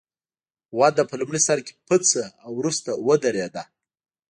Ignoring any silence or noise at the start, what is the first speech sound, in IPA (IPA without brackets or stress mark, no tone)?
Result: w